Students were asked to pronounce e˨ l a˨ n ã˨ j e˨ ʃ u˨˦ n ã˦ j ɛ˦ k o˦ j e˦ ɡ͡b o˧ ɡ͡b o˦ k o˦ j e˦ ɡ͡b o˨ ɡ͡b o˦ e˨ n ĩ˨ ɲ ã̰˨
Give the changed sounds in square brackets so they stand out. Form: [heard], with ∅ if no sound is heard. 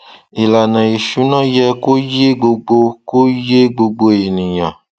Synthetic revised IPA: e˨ l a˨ n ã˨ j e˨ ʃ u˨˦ n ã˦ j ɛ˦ k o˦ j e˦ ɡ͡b o˧ ɡ͡b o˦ k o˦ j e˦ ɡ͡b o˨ ɡ͡b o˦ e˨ n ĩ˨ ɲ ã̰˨